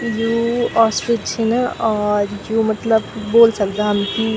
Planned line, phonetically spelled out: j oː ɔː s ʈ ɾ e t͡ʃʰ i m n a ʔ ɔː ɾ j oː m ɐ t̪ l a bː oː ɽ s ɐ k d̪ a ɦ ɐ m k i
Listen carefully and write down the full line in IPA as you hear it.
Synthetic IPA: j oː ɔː s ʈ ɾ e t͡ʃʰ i n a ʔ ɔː ɾ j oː m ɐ t̪ l ə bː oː l s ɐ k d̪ a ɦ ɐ m k i